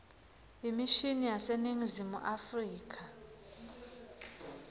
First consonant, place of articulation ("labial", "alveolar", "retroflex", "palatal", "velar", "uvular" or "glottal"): labial